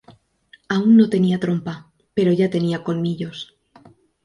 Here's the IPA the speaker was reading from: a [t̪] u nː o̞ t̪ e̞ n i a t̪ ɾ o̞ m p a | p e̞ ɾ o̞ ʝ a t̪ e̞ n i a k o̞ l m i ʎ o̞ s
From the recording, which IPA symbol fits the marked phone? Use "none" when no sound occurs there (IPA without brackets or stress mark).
none